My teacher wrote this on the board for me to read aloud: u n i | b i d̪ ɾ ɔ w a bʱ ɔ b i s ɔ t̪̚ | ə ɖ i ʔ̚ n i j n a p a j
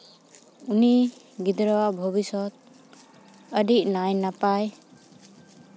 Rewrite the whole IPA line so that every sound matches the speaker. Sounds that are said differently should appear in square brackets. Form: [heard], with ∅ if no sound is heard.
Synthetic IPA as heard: u n i | [ɡ] i d̪ ɾ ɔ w a bʱ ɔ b i s ɔ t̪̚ | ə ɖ i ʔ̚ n [a] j n a p a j